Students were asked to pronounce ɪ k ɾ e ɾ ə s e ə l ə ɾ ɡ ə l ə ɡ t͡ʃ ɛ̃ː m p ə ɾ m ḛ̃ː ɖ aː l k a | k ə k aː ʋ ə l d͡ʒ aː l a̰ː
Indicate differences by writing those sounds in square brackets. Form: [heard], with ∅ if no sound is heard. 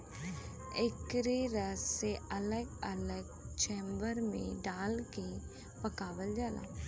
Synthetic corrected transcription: ɪ k ɾ e ɾ ə s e ə l ə [∅] ɡ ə l ə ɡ t͡ʃ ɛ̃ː m [b] ə ɾ m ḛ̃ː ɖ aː l k [e] | [p] ə k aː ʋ ə l d͡ʒ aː l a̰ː